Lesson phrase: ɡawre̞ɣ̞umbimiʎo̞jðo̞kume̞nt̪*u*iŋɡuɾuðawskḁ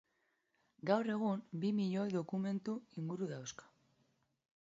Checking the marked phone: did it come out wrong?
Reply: no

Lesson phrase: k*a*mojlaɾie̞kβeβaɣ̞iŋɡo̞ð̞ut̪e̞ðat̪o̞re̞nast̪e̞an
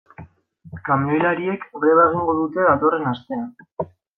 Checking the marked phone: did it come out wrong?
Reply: no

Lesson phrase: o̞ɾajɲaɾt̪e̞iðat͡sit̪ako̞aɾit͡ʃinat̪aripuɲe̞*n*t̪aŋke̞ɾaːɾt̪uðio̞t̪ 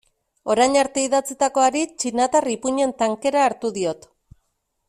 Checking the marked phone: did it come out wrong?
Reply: no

